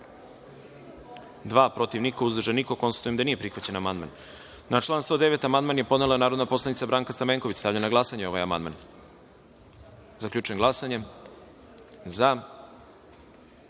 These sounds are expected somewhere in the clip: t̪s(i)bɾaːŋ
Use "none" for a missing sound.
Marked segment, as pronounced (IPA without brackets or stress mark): a